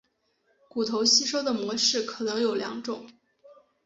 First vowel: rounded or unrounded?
rounded